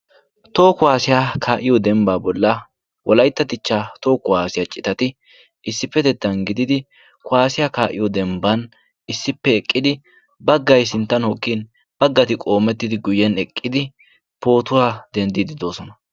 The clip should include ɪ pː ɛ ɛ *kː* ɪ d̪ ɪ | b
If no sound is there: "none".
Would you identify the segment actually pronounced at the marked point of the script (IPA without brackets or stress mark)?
kʼː